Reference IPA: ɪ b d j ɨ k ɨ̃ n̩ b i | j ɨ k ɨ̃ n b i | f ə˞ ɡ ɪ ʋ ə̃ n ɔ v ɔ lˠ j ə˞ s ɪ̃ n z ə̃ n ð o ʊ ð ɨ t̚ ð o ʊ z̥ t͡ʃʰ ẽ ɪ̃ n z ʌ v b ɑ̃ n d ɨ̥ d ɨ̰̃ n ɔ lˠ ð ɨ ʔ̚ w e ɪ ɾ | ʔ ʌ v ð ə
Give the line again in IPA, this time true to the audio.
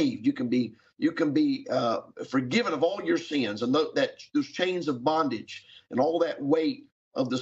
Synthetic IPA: ɪ v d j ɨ k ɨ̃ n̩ b i | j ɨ k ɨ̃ n b i | f ə˞ ɡ ɪ v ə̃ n ʌ v ɔ lˠ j ə˞ s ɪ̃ n z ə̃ n ð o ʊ ð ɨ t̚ ð o ʊ z̥ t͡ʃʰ ẽ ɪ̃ n z ʌ v b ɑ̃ n d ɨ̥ d͡ʒ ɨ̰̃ n ɔ lˠ ð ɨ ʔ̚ w e ɪ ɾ | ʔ ʌ v ð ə